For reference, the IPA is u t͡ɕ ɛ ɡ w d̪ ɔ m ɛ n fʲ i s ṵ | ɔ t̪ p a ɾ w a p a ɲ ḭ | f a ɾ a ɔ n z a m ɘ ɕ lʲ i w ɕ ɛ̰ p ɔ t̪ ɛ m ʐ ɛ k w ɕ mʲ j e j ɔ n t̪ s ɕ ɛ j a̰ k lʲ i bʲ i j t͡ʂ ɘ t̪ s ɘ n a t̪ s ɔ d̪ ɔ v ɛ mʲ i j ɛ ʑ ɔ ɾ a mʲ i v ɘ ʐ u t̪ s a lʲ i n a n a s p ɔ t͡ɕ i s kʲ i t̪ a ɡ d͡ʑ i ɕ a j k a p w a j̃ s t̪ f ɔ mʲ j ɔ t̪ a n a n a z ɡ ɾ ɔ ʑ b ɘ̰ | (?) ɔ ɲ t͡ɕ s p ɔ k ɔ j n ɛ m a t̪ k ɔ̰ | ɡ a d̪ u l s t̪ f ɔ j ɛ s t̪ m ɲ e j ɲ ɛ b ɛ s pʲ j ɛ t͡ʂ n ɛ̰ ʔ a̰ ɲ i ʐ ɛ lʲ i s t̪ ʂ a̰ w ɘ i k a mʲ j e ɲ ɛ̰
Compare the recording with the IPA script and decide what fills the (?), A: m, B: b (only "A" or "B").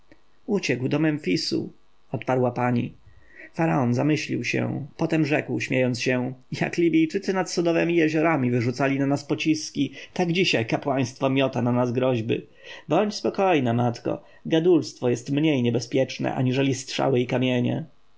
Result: B